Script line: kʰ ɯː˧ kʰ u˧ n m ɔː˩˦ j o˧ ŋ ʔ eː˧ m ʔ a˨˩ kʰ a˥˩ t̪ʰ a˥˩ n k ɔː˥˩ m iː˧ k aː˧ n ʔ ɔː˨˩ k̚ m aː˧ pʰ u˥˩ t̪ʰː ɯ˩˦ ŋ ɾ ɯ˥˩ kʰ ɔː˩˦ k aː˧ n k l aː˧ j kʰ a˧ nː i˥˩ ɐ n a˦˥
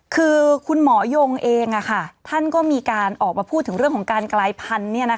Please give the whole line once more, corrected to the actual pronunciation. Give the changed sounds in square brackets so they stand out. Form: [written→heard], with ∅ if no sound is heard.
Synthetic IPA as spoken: kʰ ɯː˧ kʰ u˧ n m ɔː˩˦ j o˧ ŋ ʔ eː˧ [m→ŋ] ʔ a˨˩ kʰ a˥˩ t̪ʰ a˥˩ n k ɔː˥˩ m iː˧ k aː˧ n ʔ ɔː˨˩ k̚ m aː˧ pʰ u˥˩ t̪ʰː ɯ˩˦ ŋ ɾ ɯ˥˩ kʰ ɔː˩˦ k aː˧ n k l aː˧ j [kʰ→pʰ] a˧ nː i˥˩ ɐ n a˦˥